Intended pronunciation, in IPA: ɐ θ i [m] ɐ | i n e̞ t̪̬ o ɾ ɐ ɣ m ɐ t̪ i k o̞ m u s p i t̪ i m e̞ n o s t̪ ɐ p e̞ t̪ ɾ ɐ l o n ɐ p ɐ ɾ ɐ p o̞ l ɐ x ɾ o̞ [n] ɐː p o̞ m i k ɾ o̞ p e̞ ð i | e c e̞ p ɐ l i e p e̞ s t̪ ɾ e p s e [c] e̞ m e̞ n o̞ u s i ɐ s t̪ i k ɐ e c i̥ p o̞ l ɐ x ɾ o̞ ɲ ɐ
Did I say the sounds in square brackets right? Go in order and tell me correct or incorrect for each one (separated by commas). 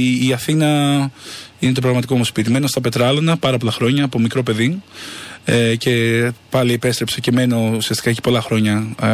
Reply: incorrect, incorrect, correct